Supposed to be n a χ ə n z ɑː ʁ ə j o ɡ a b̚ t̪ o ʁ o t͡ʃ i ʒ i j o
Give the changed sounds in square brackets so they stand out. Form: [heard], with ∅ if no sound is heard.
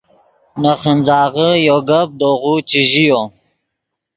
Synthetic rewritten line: n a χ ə n z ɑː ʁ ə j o ɡ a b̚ [d̪] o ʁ [u] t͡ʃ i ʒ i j o